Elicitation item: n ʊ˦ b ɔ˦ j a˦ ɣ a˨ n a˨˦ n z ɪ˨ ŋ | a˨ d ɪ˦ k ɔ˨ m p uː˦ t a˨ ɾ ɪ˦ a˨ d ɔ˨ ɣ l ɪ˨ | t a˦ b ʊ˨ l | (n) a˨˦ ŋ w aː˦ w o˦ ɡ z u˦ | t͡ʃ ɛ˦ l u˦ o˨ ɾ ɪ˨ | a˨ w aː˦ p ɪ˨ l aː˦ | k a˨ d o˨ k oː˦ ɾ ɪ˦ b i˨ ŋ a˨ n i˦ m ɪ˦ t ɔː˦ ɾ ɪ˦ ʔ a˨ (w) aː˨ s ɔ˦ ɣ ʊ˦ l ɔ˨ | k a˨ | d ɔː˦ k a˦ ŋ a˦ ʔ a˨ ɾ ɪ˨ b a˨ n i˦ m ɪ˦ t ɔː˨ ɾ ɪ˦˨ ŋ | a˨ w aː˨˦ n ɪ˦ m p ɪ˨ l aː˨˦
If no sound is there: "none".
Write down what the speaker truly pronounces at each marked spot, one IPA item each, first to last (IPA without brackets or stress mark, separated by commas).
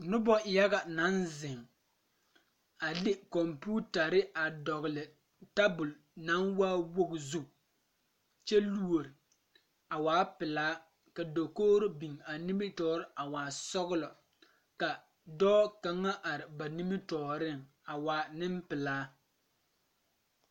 n, w